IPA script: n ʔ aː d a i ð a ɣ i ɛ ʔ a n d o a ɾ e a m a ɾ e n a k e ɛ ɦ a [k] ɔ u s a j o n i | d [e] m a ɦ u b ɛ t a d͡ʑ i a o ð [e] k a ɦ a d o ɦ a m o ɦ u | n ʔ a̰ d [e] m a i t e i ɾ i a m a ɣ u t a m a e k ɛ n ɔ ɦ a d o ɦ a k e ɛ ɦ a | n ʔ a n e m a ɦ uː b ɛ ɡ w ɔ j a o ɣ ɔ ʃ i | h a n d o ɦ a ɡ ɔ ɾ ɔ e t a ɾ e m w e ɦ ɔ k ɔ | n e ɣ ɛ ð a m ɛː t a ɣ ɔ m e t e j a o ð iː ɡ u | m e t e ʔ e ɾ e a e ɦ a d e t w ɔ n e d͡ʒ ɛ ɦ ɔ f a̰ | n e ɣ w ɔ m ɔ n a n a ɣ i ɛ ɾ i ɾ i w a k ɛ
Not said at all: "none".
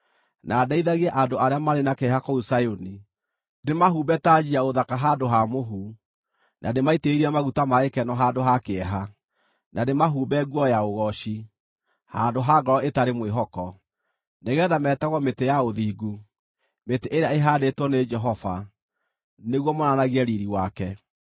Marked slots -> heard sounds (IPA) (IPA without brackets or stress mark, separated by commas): k, e, a, e